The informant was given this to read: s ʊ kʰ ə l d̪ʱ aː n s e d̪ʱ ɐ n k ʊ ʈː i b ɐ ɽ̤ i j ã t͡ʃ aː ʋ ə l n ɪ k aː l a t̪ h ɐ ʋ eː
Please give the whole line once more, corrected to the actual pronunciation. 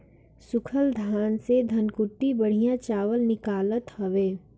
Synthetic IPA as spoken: s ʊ kʰ ə l d̪ʱ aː n s e d̪ʱ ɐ n k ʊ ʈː i b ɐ ɽ̤ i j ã t͡ʃ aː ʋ ə l n ɪ k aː l ə t̪ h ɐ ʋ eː